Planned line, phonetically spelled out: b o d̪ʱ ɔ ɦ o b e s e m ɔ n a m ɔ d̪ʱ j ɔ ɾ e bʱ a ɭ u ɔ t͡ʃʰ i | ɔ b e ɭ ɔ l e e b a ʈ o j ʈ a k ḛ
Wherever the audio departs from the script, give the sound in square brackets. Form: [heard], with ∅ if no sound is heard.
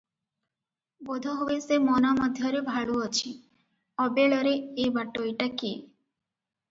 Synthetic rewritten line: b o d̪ʱ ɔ ɦ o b e s e m ɔ n a m ɔ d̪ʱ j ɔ ɾ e bʱ a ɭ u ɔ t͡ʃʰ i | ɔ b e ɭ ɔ [ɾ] e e b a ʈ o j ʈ a k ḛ